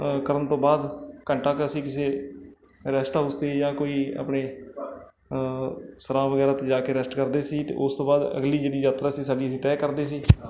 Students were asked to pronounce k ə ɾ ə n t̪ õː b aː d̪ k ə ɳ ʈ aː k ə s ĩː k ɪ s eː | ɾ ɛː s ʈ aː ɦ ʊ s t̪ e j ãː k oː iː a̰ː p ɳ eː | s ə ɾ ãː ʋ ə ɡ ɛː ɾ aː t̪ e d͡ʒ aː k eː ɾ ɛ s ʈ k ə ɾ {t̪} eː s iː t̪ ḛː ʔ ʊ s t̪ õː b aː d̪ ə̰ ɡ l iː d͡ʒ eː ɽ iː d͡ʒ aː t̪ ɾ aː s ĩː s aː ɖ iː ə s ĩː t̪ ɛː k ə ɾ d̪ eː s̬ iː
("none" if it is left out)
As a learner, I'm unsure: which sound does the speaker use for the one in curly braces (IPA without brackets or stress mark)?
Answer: d̪